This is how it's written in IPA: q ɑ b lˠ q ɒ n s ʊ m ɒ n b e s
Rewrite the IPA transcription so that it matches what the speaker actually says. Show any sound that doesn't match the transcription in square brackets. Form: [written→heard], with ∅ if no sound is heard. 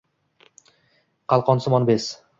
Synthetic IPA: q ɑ [b→∅] lˠ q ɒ n s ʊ m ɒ n b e s